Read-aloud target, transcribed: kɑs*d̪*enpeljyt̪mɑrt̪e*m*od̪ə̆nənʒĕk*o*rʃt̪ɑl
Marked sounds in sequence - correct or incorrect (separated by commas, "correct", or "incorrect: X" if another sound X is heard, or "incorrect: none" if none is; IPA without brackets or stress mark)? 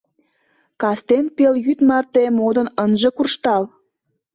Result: incorrect: t̪, correct, incorrect: u